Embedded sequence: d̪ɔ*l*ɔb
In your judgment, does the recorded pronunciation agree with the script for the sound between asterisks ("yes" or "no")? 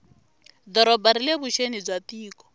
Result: no